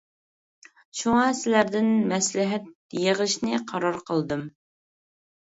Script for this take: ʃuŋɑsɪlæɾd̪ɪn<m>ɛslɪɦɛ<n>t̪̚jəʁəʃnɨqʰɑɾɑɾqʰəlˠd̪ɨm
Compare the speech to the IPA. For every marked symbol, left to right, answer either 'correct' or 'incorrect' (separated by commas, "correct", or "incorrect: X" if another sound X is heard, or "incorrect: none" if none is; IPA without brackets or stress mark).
correct, incorrect: none